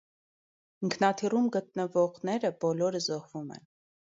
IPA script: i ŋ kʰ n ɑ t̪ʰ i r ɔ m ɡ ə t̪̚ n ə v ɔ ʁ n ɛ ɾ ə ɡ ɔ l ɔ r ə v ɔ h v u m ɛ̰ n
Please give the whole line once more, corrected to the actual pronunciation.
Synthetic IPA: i ŋ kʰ n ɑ t̪ʰ i r u m ɡ ə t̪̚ n ə v ɔ ʁ n ɛ ɾ ə b ɔ l ɔ ɾ ə z ɔ h v u m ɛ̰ n